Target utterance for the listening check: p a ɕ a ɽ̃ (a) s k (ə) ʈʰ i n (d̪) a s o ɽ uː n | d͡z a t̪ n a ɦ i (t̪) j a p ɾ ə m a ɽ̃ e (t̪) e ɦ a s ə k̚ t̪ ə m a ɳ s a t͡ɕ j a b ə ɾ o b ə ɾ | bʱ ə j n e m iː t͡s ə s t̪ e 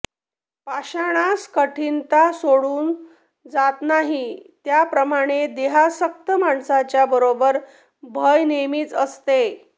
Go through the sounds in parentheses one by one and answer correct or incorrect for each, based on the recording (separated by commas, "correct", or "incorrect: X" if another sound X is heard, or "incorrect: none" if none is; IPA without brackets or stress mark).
correct, correct, incorrect: t̪, correct, incorrect: d̪